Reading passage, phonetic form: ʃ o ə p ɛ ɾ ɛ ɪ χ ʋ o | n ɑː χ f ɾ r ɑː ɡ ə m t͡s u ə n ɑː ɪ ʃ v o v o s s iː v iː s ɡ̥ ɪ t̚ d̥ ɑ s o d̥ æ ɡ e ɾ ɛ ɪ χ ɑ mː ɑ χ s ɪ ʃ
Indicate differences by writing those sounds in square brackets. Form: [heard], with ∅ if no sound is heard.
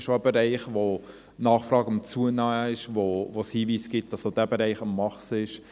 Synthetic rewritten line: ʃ o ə [b] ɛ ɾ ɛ ɪ χ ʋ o | n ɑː χ f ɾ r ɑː ɡ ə m t͡s u ə n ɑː ɪ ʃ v o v o s [h] iː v iː s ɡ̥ ɪ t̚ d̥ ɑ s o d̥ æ [b] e ɾ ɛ ɪ χ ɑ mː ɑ χ s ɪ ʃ